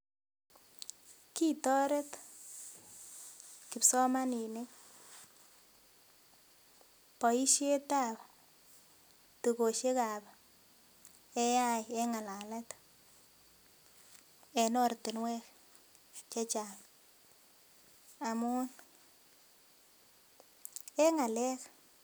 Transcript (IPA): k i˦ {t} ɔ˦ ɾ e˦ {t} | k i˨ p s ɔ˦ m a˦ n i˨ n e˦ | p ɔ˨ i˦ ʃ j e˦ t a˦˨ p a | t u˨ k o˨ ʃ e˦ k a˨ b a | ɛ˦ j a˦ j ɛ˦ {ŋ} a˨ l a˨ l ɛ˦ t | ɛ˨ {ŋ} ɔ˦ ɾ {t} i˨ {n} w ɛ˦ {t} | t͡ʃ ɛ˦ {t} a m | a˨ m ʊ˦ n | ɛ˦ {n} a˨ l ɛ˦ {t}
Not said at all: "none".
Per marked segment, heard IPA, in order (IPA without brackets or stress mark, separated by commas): t, t, ŋ, n, t, n, k, t͡ʃ, ŋ, k